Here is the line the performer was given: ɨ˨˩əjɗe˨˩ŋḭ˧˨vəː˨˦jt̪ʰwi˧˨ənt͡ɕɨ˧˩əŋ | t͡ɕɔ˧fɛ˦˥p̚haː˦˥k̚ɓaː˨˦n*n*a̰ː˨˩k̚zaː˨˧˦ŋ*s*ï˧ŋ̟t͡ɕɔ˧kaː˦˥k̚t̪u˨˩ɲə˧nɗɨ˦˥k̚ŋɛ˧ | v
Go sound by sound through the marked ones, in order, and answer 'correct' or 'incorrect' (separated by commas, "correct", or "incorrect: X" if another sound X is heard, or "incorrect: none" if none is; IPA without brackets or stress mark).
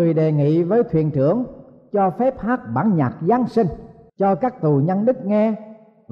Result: incorrect: ɲ, correct